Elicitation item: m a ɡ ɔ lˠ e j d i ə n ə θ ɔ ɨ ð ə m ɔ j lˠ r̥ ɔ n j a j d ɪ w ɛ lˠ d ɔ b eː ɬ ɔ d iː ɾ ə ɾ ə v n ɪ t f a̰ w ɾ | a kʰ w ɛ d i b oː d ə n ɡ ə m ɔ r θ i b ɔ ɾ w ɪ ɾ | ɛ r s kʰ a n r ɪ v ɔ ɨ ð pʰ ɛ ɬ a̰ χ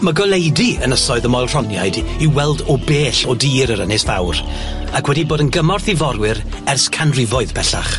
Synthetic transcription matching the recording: m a ɡ ɔ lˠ e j d i ə n ə s ɔ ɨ ð ə m ɔ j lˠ r̥ ɔ n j a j d i w ɛ lˠ d ɔ b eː ɬ ɔ d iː ɾ ə ɾ ə n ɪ s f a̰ w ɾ | a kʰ w ɛ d i b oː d ə n ɡ ə m ɔ r θ i v ɔ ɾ w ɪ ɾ | ɛ r s kʰ a n r ɪ v ɔ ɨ ð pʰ ɛ ɬ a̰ χ